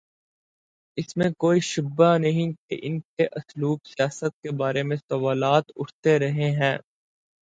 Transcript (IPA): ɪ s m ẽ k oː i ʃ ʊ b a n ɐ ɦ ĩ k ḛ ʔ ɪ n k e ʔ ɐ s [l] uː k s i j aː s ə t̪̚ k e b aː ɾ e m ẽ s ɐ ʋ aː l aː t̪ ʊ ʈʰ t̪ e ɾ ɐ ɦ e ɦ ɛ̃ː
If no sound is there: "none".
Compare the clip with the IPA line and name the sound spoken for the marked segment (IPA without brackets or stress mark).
l